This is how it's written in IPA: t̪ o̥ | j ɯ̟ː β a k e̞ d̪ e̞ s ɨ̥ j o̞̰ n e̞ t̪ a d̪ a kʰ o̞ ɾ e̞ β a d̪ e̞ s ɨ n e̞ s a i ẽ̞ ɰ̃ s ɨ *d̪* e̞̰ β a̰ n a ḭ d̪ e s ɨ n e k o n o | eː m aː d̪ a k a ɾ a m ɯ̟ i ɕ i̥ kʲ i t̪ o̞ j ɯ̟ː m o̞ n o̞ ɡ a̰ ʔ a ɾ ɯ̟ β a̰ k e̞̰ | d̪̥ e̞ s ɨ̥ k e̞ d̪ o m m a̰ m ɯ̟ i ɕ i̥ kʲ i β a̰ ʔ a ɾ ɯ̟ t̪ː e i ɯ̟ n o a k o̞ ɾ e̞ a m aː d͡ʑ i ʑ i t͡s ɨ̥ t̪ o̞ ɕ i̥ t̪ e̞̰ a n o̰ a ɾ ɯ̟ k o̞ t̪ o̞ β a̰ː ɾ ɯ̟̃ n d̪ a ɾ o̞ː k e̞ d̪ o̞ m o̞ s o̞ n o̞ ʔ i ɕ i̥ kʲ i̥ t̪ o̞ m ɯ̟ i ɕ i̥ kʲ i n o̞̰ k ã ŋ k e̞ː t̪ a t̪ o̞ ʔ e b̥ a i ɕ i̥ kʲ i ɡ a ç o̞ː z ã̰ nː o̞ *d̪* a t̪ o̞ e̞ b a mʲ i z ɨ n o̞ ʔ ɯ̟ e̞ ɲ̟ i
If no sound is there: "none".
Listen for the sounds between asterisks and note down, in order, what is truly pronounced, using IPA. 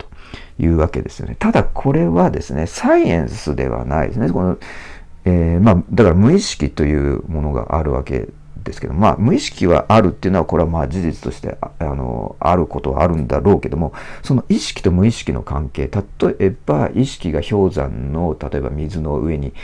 d̪, t̪

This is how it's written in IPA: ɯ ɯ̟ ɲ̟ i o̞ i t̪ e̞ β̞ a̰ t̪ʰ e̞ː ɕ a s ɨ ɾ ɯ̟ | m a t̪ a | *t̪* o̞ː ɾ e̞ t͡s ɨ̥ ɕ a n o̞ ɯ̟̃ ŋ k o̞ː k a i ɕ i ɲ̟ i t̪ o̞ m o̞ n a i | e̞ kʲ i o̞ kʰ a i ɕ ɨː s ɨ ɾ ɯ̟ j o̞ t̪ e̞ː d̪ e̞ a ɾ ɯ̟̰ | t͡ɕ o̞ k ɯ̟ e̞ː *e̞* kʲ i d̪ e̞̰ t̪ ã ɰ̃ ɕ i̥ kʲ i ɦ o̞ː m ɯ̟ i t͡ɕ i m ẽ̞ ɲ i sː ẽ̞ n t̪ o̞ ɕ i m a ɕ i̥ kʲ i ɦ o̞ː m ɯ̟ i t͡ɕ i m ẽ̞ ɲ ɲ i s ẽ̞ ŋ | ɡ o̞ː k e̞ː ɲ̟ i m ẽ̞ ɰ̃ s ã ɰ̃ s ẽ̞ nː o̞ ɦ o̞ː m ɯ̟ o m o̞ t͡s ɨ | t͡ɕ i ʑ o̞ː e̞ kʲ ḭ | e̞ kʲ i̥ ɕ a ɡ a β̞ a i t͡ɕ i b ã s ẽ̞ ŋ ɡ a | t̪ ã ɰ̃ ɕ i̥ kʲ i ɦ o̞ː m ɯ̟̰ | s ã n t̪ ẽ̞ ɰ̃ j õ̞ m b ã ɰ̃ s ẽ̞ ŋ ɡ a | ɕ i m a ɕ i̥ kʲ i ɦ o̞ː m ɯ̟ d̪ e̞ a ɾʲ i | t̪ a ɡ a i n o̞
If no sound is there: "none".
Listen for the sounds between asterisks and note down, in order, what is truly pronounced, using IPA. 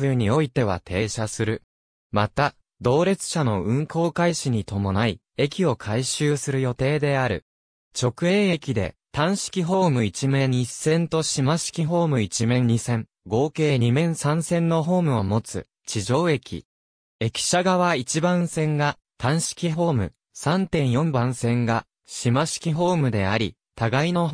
d̪, e̞

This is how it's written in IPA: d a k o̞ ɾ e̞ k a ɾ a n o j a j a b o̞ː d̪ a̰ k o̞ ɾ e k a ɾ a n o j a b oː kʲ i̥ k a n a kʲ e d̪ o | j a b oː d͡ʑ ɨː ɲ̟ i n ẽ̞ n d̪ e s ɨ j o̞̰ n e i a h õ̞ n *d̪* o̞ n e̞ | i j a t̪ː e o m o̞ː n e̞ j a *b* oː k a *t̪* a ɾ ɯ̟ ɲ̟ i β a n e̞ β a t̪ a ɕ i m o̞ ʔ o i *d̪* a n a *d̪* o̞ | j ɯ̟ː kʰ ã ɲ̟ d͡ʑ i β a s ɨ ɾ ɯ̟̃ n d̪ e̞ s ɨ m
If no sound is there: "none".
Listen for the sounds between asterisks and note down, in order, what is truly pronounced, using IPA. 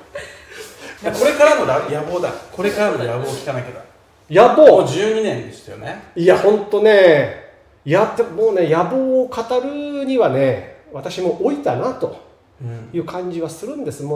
t̪, b, t̪, t̪, t̪

